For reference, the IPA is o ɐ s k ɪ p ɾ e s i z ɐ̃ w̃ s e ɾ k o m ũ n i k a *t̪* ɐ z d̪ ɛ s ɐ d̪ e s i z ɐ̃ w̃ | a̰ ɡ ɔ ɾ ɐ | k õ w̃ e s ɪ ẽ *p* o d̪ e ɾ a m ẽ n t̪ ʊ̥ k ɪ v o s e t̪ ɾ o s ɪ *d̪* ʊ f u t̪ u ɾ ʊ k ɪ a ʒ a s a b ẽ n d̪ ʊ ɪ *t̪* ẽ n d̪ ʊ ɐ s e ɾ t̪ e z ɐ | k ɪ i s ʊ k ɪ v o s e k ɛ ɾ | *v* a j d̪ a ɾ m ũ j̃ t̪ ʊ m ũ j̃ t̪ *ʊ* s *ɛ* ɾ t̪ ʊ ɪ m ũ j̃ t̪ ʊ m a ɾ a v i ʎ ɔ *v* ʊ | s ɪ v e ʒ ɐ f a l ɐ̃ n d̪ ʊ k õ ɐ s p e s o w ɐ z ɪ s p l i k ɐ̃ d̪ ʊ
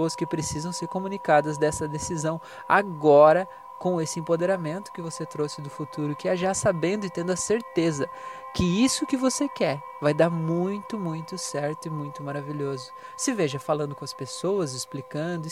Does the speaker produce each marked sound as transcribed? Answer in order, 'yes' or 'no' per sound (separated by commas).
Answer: no, yes, yes, yes, yes, yes, yes, no